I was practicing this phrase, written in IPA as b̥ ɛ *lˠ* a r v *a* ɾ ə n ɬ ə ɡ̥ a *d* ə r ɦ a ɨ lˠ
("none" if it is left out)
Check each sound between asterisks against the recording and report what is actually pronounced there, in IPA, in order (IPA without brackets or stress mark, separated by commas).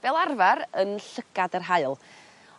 lˠ, a, d